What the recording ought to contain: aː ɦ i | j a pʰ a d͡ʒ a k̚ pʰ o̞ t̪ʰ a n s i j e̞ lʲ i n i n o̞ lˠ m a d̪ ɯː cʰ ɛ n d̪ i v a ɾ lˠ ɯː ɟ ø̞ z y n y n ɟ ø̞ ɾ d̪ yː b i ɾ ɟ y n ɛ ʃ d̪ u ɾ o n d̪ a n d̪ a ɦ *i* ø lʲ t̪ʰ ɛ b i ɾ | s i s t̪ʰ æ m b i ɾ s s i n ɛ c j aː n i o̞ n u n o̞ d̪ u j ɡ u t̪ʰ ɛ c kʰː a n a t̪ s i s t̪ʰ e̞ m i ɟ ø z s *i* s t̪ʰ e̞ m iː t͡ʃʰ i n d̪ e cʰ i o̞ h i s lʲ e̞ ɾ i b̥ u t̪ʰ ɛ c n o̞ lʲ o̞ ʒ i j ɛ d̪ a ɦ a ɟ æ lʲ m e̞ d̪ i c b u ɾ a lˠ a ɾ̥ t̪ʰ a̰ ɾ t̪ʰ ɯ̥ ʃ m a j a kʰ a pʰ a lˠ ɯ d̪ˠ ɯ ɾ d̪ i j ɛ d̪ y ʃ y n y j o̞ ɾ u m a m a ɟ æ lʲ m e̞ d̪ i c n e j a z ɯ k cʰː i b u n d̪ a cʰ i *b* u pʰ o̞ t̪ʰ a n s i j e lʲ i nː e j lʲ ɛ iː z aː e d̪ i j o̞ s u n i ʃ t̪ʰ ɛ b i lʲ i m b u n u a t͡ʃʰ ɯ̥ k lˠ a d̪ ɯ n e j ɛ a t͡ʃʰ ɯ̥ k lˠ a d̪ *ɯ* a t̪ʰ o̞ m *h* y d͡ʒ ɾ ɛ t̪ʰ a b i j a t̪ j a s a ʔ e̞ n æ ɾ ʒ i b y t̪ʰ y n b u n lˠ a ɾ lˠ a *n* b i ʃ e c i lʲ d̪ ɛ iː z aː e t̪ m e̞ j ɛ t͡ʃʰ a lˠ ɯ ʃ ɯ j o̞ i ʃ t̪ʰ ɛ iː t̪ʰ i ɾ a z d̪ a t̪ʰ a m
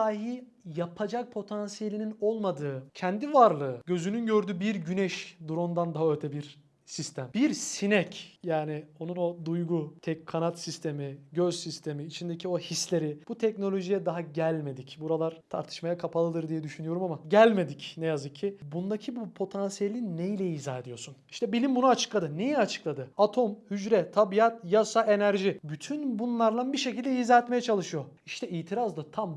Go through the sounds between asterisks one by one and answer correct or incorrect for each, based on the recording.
incorrect, correct, correct, correct, correct, correct

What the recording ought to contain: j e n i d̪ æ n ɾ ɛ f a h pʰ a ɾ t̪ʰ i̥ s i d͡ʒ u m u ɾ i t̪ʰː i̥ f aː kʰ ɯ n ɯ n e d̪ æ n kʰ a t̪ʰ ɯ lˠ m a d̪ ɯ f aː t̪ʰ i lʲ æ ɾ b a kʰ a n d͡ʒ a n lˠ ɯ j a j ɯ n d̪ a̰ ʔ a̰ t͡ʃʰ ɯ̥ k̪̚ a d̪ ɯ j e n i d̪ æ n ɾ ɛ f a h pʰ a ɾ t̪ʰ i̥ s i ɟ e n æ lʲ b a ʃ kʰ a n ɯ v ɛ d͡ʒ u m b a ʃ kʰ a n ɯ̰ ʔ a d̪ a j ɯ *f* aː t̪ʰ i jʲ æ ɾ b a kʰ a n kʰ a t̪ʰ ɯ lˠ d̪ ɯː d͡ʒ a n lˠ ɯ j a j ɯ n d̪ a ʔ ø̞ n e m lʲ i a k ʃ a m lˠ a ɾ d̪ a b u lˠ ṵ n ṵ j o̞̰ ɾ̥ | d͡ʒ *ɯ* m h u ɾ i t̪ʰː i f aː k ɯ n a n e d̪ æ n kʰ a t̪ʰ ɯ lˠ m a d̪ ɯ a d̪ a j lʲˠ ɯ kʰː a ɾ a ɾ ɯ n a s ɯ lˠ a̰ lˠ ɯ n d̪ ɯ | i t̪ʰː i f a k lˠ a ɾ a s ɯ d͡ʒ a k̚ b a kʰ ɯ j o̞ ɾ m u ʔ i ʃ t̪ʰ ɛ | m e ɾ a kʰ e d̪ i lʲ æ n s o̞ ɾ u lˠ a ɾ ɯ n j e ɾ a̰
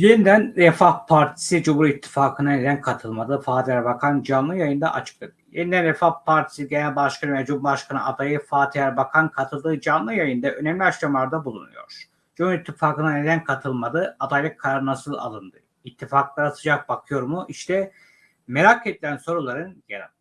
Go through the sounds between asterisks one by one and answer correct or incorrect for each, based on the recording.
correct, incorrect

